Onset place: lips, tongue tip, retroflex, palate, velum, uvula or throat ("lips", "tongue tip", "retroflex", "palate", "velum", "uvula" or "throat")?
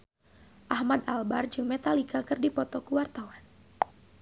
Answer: throat